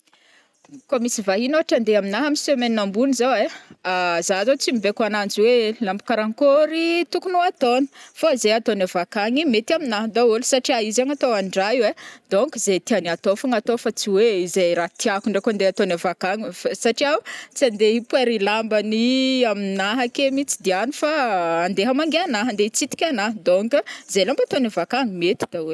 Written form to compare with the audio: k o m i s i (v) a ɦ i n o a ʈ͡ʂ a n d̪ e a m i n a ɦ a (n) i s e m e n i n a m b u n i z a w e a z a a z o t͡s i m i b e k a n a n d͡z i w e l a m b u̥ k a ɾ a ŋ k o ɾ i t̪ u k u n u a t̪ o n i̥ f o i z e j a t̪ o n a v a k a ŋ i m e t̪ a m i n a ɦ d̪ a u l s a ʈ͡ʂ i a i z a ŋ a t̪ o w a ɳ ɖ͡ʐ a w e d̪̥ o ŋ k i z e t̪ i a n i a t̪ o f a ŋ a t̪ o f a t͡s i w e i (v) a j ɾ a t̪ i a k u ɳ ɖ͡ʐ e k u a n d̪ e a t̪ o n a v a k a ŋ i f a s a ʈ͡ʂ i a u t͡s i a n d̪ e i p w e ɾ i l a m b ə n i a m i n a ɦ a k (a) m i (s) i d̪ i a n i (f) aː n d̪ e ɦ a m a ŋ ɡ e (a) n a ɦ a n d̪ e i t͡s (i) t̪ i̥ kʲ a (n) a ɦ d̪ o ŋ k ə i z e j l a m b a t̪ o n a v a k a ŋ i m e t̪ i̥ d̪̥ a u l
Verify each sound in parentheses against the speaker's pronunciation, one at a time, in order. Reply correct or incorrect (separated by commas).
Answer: correct, incorrect, incorrect, incorrect, incorrect, correct, correct, correct, correct